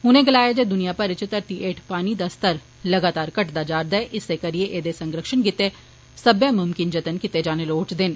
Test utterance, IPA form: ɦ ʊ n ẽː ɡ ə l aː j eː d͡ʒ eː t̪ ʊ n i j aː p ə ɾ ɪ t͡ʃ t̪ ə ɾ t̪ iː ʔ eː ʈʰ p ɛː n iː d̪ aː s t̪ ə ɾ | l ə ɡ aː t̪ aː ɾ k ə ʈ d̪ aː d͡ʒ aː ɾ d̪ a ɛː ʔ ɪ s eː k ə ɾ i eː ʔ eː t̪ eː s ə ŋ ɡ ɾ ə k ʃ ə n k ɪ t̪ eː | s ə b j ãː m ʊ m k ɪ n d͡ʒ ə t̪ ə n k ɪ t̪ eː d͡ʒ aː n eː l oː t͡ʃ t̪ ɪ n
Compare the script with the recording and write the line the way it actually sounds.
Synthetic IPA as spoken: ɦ ʊ n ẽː ɡ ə l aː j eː d͡ʒ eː d̪ ʊ n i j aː p ə ɾ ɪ t͡ʃ t̪ ə ɾ t̪ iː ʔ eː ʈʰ p aː n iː d̪ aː s t̪ ə ɾ | l ə ɡ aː t̪ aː ɾ k ə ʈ d̪ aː d͡ʒ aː ɾ d̪ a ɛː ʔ ɪ s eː k ə ɾ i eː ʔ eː d̪ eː s ə ŋ ɡ ɾ ə k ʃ ə n k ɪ t̪ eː | s ə b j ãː m ʊ m k ɪ n d͡ʒ ə t̪ ə n k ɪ t̪ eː d͡ʒ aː n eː l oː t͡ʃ d̪ ɪ n